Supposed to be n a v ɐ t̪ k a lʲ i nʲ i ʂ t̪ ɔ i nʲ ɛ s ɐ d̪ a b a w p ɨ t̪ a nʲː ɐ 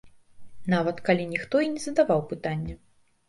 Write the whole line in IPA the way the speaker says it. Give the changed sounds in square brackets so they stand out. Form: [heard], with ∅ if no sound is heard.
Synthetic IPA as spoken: n a v ɐ t̪ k a lʲ i nʲ i [x] t̪ ɔ i nʲ ɛ [z] ɐ d̪ a [v] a w p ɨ t̪ a nʲː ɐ